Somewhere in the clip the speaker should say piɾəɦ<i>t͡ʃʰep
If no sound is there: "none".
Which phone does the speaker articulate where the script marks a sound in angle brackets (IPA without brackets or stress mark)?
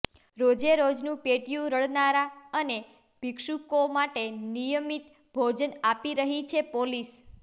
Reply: i